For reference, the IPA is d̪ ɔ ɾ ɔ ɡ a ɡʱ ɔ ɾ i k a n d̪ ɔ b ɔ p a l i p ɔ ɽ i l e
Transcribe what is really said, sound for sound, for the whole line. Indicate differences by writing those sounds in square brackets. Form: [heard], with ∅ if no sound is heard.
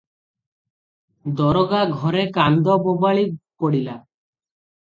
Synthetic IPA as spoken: d̪ ɔ ɾ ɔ ɡ a ɡʱ ɔ ɾ [e] k a n d̪ ɔ b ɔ [b] a [ɭ] i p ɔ ɽ i l [a]

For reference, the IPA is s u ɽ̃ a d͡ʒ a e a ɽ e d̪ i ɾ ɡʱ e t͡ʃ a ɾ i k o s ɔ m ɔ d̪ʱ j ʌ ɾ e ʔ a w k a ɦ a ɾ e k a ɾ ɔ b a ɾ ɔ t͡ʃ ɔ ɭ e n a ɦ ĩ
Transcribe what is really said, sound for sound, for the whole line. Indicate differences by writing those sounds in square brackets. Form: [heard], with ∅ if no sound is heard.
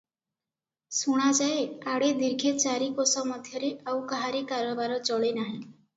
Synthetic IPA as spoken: s u ɽ̃ a d͡ʒ a e a ɽ e d̪ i ɾ ɡʱ e t͡ʃ a ɾ i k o s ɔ m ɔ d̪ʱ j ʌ ɾ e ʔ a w k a ɦ a ɾ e k a ɾ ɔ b a ɾ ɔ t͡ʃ ɔ ɭ e n a ɦ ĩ

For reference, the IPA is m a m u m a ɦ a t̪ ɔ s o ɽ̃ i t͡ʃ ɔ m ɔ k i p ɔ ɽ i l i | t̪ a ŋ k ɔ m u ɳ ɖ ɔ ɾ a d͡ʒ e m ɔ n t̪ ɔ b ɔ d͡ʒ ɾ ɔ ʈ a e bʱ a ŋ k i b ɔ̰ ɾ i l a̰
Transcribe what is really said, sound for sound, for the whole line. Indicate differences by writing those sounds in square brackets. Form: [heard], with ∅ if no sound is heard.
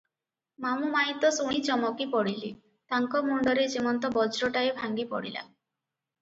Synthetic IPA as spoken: m a m u m a ɦ [i] t̪ ɔ s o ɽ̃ i t͡ʃ ɔ m ɔ k i p ɔ ɽ i l i | t̪ a ŋ k ɔ m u ɳ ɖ ɔ ɾ [e] d͡ʒ e m ɔ n t̪ ɔ b ɔ d͡ʒ ɾ ɔ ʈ a e bʱ a ŋ [ɡ] i [p] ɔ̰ [ɽ] i l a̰

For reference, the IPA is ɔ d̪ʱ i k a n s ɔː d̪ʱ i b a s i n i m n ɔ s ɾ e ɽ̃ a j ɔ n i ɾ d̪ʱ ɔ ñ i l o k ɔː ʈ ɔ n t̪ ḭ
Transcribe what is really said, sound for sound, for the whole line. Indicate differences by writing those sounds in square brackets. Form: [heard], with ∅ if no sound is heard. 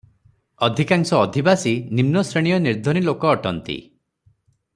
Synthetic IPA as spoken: ɔ d̪ʱ i k a [ŋ] s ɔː d̪ʱ i b a s i n i m n ɔ s ɾ e ɽ̃ [i] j ɔ n i ɾ d̪ʱ ɔ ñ i l o k ɔː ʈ ɔ n t̪ ḭ

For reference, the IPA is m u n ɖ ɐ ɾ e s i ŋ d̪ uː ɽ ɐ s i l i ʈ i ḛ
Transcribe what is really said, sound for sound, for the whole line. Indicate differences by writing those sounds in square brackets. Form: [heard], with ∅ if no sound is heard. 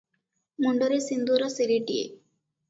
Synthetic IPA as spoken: m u [ɳ] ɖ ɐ ɾ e s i [n] d̪ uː [ɾ] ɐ s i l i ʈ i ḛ

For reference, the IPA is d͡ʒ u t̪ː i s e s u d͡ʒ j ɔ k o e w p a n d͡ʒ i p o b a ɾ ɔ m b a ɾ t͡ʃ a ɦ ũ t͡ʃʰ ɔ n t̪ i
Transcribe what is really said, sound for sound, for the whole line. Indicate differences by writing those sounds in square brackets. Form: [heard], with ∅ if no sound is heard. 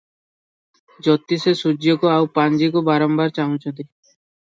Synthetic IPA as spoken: d͡ʒ [ɔ] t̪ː i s e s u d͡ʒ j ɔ k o [a] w p a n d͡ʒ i [k] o b a ɾ ɔ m b a ɾ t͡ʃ a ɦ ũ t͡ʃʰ ɔ n t̪ i

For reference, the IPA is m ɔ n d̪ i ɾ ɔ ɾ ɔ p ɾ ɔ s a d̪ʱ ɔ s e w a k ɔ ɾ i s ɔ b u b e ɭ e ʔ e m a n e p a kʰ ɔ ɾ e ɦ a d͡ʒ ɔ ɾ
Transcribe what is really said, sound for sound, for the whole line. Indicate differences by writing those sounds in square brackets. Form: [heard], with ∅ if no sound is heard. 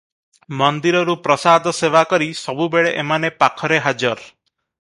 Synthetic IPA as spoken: m ɔ n d̪ i ɾ ɔ ɾ [u] p ɾ ɔ s a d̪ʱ ɔ s e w a k ɔ ɾ i s ɔ b u b e ɭ e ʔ e m a n e p a kʰ ɔ ɾ e ɦ a d͡ʒ ɔ ɾ

